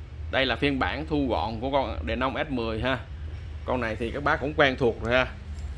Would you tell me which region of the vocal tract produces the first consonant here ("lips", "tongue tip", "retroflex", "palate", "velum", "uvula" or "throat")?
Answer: tongue tip